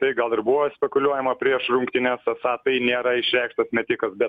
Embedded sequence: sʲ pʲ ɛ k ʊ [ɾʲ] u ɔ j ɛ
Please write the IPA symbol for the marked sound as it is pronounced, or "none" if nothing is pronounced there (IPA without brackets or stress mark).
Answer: lʲ